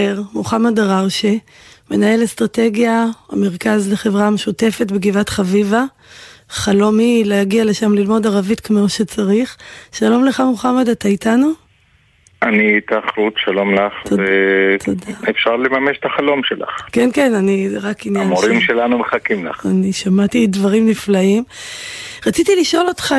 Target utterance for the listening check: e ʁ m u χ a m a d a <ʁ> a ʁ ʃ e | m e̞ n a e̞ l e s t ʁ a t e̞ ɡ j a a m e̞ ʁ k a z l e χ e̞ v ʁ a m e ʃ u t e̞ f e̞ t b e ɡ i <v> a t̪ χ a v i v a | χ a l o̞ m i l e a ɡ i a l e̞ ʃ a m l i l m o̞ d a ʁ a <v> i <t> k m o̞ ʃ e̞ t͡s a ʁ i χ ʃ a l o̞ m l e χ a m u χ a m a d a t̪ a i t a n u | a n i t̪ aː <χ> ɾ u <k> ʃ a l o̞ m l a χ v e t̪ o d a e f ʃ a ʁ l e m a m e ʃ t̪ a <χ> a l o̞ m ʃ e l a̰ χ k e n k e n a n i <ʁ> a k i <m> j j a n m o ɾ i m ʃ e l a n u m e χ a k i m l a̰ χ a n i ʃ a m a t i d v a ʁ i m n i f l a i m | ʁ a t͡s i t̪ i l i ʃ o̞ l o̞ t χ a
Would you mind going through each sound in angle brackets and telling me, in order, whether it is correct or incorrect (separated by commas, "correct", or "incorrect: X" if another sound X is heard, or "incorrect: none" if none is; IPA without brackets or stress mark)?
correct, correct, correct, correct, correct, incorrect: t, correct, correct, incorrect: n